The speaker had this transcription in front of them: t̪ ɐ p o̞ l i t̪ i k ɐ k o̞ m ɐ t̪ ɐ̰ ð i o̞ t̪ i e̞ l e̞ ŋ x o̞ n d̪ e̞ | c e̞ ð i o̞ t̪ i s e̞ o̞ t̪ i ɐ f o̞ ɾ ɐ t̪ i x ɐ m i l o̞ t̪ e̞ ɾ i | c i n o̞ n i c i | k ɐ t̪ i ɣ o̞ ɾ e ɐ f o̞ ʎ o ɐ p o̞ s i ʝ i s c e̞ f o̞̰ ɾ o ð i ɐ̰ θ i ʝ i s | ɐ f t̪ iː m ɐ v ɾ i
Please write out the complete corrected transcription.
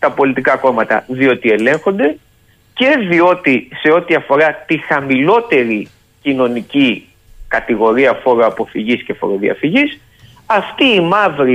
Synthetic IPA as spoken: t̪ ɐ p o̞ l i t̪ i k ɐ k o̞ m ɐ t̪ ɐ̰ ð i o̞ t̪ i e̞ l e̞ ŋ x o̞ n d̪ e̞ | c e̞ ð i o̞ t̪ i s e̞ o̞ t̪ i ɐ f o̞ ɾ ɐ t̪ i x ɐ m i l o̞ t̪ e̞ ɾ i | c i n o̞ n i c i | k ɐ t̪ i ɣ o̞ ɾ i ɐ f o̞ ɾ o ɐ p o̞ f i ʝ i s c e̞ f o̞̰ ɾ o ð i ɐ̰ f i ʝ i s | ɐ f t̪ iː m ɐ v ɾ i